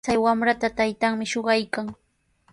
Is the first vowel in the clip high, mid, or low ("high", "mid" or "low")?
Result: low